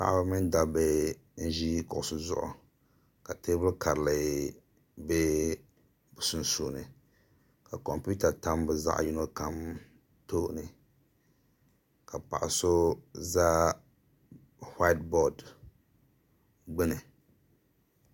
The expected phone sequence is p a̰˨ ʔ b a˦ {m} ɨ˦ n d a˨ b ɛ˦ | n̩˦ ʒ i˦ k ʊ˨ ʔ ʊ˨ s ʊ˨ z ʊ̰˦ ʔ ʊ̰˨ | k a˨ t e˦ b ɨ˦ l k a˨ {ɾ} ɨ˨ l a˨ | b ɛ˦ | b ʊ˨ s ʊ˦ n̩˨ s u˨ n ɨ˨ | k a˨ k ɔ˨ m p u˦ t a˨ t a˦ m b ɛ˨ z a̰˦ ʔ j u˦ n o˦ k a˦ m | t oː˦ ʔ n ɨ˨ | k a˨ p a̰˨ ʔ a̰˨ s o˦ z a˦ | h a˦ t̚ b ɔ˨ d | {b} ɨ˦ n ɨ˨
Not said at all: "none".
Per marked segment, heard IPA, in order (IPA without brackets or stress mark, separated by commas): m, ɾ, ɡ͡b